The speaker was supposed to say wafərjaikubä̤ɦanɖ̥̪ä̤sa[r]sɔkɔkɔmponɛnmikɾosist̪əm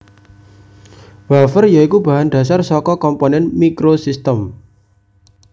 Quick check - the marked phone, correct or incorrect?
correct